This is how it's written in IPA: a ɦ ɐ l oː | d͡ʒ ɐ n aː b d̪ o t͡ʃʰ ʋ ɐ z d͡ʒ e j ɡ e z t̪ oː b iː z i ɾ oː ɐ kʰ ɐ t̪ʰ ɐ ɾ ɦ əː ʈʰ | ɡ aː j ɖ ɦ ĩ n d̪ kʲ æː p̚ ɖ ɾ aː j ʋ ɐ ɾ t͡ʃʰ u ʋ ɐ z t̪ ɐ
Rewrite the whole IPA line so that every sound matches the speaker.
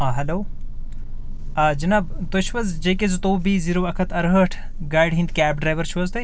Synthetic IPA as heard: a ɦ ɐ l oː | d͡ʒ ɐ n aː b t̪ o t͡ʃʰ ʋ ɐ z d͡ʒ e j k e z t̪ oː b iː z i ɾ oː ɐ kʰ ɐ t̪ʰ ɐ ɾ ɦ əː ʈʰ | ɡ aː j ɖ ɦ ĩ n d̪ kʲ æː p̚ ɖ ɾ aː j ʋ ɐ ɾ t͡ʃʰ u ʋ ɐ z t̪ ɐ